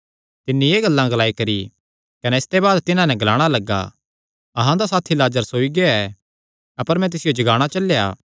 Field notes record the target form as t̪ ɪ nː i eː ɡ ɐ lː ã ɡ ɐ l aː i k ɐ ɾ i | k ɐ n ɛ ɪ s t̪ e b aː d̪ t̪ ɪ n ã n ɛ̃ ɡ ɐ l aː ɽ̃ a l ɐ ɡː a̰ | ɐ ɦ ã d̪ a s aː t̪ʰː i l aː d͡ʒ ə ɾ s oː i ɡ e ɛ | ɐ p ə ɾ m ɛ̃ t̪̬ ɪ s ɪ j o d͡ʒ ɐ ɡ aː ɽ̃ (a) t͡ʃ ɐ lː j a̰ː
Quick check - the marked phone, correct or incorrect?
correct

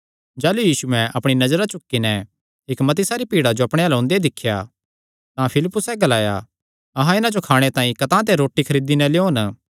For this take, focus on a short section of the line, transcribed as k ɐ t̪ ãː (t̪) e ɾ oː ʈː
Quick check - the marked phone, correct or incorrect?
correct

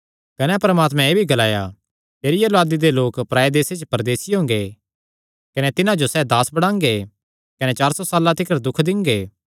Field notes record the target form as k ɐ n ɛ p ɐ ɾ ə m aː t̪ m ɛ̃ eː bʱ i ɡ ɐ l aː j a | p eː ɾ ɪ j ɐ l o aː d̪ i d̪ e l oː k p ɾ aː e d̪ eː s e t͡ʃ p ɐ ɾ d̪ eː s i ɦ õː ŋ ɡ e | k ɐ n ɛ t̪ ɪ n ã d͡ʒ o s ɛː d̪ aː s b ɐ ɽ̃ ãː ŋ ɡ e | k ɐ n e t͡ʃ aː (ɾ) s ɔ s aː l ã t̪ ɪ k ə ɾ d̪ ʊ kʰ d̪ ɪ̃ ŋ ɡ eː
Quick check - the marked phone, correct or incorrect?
correct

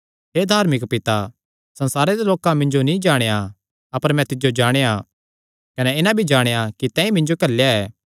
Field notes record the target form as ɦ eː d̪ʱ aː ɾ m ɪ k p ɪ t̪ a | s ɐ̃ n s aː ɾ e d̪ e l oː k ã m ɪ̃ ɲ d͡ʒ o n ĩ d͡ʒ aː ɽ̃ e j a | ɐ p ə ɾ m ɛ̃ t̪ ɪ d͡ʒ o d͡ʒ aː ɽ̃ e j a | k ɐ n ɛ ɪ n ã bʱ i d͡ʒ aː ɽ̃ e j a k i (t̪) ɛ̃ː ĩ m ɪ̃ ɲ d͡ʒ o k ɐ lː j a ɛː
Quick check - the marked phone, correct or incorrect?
correct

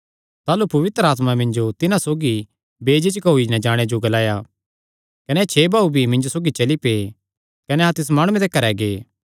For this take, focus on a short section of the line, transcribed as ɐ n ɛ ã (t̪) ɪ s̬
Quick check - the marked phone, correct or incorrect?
correct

